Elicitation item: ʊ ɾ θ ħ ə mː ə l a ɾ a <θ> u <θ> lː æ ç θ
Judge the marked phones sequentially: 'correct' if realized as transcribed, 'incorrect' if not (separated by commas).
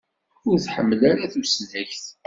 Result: correct, incorrect